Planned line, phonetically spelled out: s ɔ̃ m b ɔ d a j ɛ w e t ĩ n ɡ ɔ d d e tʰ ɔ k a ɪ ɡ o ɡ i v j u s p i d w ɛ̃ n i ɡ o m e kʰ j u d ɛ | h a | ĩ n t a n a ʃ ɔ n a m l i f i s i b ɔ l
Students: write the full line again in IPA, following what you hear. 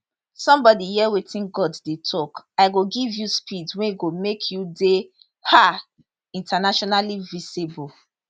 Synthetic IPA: s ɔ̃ m b ɔ d i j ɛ w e t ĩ n ɡ ɔ d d e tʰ ɔ k a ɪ ɡ o ɡ i v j u s p i d w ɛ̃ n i ɡ o m e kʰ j u d e | h a | ĩ n t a n a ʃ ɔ n a l i v i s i b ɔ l